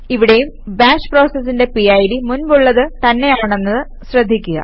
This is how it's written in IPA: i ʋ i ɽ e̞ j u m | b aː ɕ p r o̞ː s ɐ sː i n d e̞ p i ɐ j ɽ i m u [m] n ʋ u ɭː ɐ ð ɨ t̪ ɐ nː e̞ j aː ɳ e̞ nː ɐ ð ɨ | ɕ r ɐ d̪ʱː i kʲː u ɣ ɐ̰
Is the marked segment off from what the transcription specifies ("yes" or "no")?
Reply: yes